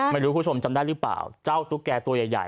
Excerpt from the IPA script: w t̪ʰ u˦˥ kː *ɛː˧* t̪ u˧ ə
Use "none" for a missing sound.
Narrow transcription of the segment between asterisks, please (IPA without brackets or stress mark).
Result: ɛː˧